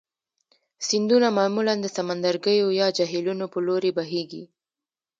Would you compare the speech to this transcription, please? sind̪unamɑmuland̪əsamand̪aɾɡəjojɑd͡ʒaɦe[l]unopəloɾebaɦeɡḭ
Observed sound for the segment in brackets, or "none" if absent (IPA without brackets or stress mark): l